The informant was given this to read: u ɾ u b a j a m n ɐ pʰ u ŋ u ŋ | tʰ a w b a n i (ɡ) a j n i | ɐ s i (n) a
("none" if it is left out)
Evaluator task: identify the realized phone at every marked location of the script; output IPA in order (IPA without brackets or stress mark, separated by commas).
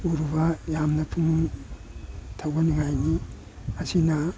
ŋ, n